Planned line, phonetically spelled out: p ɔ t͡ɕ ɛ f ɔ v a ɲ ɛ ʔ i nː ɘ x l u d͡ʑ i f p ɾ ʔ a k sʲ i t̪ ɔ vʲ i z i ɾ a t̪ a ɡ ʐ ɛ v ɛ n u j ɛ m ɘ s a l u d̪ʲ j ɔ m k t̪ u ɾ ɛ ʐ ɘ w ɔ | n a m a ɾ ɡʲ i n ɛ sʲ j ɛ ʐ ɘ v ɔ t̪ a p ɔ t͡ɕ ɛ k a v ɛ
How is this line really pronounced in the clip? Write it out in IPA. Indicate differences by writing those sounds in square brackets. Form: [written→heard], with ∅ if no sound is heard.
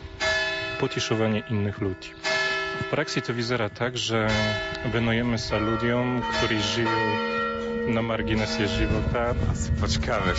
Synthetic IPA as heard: p ɔ t͡ɕ ɛ [f→ʂ] ɔ v a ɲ ɛ ʔ i nː ɘ x l u d͡ʑ i f p ɾ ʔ a k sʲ i t̪ ɔ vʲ i z [i→ɛ] ɾ a t̪ a ɡ ʐ ɛ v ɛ n u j ɛ m ɘ s a l u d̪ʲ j ɔ m k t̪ u ɾ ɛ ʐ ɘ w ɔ | n a m a ɾ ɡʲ i n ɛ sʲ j ɛ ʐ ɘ v ɔ t̪ a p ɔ t͡ɕ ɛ k a v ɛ